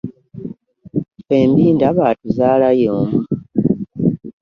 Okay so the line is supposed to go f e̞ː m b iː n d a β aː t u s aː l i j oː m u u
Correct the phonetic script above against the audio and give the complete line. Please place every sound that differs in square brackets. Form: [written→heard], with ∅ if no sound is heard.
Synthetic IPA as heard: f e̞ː m b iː n d a β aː t u [s→z] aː l [i→a] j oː m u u